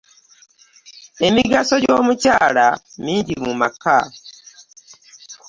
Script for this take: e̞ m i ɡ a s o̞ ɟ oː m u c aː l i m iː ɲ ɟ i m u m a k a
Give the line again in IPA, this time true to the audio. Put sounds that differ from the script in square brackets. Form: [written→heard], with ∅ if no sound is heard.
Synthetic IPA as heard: e̞ m i ɡ a s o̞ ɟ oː m u c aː l [i→a] m iː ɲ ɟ i m u m a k a